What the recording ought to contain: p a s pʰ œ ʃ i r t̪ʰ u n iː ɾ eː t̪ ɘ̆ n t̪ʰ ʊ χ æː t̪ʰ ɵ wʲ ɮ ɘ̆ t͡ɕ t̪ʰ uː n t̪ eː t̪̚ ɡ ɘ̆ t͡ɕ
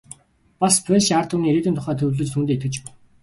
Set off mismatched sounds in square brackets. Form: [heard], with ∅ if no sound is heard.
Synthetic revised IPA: p a s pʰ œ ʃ [a] r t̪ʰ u n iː ɾ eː t̪ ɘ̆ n t̪ʰ ʊ χ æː t̪ʰ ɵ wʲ ɮ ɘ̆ t͡ɕ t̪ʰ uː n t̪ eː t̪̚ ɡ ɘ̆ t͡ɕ